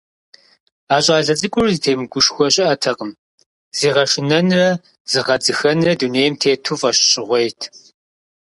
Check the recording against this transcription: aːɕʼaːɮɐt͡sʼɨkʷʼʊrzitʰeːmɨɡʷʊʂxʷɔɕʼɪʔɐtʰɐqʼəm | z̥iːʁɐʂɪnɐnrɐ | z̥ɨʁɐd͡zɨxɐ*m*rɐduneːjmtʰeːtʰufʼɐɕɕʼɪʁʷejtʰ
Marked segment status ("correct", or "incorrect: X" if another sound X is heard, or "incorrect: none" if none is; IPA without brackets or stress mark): incorrect: n